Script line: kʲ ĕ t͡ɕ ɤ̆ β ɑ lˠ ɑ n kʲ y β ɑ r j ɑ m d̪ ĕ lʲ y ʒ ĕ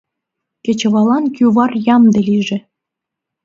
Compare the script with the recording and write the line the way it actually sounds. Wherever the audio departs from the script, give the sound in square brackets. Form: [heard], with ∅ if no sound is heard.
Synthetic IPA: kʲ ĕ t͡ɕ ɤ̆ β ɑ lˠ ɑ n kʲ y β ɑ r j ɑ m d̪ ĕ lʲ [i] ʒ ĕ